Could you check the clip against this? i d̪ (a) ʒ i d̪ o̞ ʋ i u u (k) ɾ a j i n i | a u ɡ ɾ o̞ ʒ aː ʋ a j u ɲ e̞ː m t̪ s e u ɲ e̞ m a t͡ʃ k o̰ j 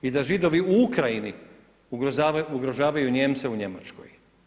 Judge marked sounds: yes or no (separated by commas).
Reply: yes, yes